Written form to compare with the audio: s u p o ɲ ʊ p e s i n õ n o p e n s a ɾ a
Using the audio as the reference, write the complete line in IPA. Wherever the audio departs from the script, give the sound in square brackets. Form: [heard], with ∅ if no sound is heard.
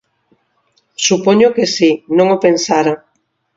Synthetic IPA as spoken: s u p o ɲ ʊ [k] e s i n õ [ŋ] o p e n s a ɾ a